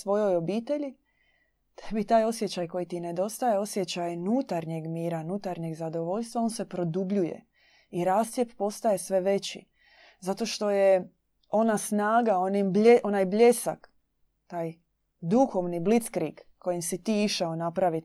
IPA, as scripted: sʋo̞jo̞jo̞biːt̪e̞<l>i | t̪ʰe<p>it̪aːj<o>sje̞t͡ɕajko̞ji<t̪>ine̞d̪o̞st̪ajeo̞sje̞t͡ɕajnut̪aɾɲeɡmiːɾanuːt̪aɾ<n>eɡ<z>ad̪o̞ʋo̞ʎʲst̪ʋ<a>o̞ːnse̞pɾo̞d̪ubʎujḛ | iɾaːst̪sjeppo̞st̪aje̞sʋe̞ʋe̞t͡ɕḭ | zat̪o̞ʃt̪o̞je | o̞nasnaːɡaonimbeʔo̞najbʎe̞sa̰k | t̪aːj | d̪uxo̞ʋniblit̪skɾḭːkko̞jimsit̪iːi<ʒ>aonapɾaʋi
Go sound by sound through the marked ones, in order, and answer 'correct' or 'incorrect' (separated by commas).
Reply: incorrect, incorrect, correct, correct, incorrect, correct, correct, incorrect